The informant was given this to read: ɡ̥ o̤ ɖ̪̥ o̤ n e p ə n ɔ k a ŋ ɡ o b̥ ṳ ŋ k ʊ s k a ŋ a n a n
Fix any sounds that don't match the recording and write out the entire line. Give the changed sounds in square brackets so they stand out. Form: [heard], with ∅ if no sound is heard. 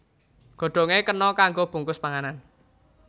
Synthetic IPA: ɡ̥ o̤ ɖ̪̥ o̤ [ŋ] e [k] ə n ɔ k a ŋ ɡ o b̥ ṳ ŋ k ʊ s [p] a ŋ a n a n